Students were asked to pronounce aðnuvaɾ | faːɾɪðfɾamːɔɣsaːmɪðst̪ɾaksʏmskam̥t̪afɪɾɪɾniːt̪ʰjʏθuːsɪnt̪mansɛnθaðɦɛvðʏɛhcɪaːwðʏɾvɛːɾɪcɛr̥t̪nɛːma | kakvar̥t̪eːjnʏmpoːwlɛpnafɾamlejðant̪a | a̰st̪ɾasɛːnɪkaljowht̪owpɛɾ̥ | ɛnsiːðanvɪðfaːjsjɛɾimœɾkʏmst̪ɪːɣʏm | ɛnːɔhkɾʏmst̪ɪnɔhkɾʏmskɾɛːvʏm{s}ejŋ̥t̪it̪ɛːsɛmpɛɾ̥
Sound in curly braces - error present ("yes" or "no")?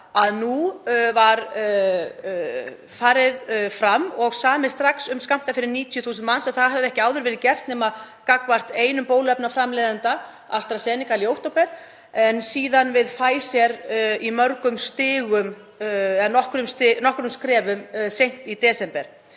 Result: no